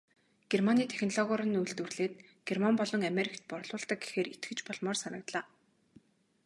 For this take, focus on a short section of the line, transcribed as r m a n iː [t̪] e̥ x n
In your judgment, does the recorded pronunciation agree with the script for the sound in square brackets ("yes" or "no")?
no